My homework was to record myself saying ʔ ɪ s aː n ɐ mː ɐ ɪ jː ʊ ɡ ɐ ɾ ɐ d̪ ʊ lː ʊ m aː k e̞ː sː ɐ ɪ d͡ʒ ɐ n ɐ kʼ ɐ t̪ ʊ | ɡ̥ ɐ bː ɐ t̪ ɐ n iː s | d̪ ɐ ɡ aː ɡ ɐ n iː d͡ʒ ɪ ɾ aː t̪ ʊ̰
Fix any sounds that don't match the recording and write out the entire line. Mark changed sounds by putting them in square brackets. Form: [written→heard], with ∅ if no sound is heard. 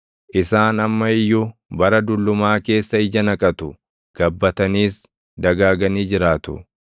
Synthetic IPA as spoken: ʔ ɪ s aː n ɐ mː ɐ ɪ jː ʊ [ɡ→b] ɐ ɾ ɐ d̪ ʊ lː ʊ m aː k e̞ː sː ɐ ɪ d͡ʒ ɐ n ɐ kʼ ɐ t̪ ʊ | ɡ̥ ɐ bː ɐ t̪ ɐ n iː s | d̪ ɐ ɡ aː ɡ ɐ n iː d͡ʒ ɪ ɾ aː t̪ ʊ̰